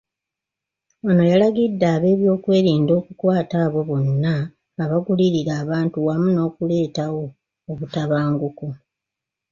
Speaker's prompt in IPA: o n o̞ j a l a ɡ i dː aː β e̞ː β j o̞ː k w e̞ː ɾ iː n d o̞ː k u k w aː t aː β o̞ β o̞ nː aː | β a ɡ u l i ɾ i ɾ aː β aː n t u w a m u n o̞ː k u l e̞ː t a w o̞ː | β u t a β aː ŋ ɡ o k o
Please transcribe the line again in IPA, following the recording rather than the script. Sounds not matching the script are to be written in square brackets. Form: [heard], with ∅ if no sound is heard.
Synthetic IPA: o n o̞ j a l a ɡ i dː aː β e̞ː β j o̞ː k w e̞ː ɾ iː n d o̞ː k u k w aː t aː β o̞ β o̞ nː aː | β a ɡ u l i ɾ i ɾ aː β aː n t u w a m u n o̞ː k u l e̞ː t a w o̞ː | β u t a β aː ŋ ɡ [u] k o